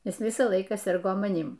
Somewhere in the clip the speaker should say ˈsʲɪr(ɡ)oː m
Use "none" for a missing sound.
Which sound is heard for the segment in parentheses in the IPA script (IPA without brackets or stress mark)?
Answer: ɡ